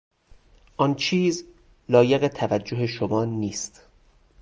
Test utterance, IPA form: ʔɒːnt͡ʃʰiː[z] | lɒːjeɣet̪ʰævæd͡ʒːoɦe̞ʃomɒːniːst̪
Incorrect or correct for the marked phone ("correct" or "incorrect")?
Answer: correct